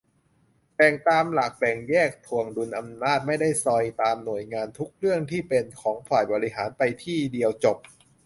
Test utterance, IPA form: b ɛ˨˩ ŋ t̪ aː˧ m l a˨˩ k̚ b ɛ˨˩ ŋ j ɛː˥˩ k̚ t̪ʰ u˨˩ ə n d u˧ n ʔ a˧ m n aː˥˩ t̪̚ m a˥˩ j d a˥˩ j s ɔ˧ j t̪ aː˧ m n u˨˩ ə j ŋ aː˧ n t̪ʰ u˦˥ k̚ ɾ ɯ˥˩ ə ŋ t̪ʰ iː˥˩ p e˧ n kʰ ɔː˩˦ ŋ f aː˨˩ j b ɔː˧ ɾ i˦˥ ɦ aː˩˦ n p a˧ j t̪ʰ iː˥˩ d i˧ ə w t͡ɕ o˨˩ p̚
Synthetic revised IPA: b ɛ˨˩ ŋ t̪ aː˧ m l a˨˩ k̚ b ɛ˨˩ ŋ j ɛː˥˩ k̚ t̪ʰ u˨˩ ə ŋ d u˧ n ʔ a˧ m n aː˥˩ t̪̚ m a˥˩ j d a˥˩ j s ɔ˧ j t̪ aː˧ m n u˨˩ ə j ŋ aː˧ n t̪ʰ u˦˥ k̚ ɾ ɯ˥˩ ə ŋ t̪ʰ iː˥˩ p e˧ n kʰ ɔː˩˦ ŋ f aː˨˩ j b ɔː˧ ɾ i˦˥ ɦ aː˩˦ n p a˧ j t̪ʰ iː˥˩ d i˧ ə w t͡ɕ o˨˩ p̚